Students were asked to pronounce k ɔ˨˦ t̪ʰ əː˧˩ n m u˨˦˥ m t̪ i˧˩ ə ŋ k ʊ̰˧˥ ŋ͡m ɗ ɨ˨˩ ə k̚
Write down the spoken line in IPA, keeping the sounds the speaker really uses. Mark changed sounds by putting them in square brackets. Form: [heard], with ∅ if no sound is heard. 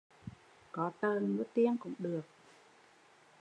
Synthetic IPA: k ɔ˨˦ [t̪] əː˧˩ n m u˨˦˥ [∅] t̪ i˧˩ ə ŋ k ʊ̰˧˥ ŋ͡m ɗ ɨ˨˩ ə k̚

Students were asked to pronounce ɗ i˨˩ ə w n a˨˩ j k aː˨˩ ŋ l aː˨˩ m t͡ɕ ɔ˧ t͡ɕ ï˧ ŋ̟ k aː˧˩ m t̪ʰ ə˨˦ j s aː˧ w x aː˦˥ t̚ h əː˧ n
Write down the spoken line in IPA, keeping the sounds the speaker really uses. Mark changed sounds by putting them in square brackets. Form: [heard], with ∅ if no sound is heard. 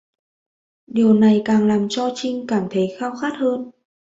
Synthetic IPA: ɗ i˨˩ ə w n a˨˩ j k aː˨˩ ŋ l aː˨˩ m t͡ɕ ɔ˧ t͡ɕ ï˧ ŋ̟ k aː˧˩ m t̪ʰ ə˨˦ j [x] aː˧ w x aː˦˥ t̚ h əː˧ n

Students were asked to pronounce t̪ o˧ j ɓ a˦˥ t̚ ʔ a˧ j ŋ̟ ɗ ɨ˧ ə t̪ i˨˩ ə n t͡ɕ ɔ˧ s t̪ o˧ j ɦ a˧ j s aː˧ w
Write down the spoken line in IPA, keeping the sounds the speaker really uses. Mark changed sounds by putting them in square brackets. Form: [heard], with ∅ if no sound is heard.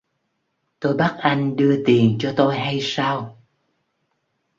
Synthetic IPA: t̪ o˧ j ɓ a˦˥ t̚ ʔ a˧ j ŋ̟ ɗ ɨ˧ ə t̪ i˨˩ ə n t͡ɕ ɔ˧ [∅] t̪ o˧ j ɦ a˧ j s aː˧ w

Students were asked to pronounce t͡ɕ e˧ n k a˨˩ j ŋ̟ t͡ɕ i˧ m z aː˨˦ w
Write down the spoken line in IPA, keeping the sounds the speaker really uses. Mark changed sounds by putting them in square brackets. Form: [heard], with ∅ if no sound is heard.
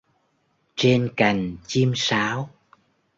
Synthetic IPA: t͡ɕ e˧ n k a˨˩ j ŋ̟ t͡ɕ i˧ m [s] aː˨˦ w

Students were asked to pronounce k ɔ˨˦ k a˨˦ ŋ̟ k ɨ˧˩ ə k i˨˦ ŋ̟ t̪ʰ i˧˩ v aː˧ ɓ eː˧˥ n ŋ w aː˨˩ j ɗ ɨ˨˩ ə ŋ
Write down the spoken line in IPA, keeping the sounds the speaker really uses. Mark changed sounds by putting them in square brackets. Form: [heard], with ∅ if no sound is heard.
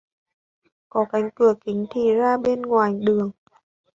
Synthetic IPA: k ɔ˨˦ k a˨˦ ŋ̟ k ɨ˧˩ ə k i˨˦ ŋ̟ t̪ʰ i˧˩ [z] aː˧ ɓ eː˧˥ n ŋ w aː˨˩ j ɗ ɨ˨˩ ə ŋ

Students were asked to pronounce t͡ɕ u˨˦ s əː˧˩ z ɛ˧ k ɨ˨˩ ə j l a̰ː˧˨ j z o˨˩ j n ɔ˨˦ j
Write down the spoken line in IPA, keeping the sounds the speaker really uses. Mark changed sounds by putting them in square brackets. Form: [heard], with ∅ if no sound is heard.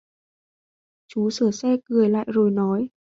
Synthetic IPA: t͡ɕ u˨˦ s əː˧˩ [s] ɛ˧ k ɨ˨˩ ə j l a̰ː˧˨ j z o˨˩ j n ɔ˨˦ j

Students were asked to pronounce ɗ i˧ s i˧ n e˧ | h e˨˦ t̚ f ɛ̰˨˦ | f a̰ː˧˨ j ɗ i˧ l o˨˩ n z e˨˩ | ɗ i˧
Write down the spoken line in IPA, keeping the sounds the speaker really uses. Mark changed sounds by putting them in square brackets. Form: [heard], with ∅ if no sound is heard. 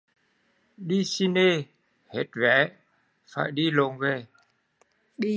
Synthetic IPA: ɗ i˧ s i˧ n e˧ | h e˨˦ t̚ [v] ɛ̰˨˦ | f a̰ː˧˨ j ɗ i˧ l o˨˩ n [v] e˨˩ | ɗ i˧

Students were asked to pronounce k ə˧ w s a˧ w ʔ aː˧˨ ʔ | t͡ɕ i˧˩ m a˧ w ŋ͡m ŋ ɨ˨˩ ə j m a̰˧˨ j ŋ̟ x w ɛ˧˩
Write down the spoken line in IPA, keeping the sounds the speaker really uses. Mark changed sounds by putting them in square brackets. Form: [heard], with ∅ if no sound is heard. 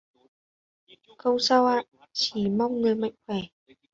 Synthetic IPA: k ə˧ w s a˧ w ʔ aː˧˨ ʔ | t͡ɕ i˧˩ m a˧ w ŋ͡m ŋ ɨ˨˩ ə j m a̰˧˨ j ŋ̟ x w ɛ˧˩

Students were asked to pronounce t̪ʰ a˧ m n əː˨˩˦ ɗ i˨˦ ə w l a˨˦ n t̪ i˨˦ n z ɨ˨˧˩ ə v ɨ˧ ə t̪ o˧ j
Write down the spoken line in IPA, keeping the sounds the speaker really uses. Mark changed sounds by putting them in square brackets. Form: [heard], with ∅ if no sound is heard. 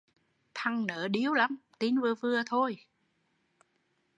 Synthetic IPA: t̪ʰ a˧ [ŋ] n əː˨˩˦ ɗ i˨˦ ə w l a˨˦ [m] t̪ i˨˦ n [v] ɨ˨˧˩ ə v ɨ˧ ə [t̪ʰ] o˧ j

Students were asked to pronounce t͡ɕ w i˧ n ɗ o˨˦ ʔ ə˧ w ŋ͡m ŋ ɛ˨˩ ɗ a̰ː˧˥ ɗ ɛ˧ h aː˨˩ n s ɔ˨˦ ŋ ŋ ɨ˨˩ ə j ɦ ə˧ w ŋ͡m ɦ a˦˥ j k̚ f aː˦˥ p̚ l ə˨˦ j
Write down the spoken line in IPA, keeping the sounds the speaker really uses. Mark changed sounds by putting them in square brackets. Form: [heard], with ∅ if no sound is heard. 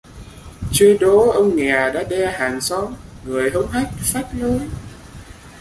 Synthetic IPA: t͡ɕ w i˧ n ɗ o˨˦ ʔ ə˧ w ŋ͡m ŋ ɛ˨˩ ɗ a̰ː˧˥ ɗ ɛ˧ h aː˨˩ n s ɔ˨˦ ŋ ŋ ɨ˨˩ ə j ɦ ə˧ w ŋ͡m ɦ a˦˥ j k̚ f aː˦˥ [t̚] l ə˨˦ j

